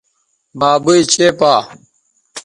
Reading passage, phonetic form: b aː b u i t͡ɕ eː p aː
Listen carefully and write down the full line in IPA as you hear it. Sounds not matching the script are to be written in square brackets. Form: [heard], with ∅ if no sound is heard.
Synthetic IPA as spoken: b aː b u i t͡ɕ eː p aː